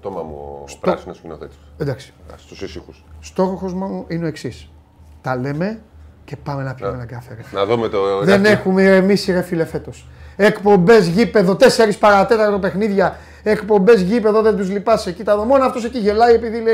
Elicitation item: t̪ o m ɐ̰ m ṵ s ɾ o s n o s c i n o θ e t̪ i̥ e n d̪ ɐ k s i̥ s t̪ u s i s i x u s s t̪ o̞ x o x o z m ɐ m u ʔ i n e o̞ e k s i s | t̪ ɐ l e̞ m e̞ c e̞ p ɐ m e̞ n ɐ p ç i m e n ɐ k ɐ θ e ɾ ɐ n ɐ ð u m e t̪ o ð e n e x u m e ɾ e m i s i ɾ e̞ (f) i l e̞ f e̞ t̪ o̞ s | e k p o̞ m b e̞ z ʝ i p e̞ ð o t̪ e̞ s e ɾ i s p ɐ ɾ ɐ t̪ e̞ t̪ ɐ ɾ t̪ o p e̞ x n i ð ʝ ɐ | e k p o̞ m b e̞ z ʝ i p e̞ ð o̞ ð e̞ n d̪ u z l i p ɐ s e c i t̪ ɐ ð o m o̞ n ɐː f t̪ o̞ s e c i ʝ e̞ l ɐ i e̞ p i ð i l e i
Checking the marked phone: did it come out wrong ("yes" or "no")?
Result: no